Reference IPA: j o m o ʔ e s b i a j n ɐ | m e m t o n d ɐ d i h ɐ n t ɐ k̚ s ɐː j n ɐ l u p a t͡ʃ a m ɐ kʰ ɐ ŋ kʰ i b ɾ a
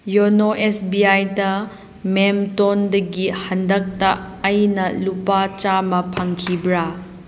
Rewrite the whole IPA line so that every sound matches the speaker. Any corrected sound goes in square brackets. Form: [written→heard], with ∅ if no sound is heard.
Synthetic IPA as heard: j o [m→n] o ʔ e s b i a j [n→d] ɐ | m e m t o n d ɐ [d→ɡ] i h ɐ n [t→d] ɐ k̚ [s→t] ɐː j n ɐ l u p a t͡ʃ a m ɐ [kʰ→pʰ] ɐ ŋ kʰ i b ɾ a